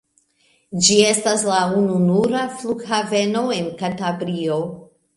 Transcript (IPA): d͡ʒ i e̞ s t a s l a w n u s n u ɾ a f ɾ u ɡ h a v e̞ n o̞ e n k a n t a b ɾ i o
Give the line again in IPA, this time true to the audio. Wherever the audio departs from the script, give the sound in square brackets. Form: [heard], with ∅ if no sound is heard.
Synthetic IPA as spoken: d͡ʒ i e̞ s t a s l a [u] n u [∅] n u ɾ a f [l] u ɡ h a v e̞ n o̞ e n k a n t a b ɾ i o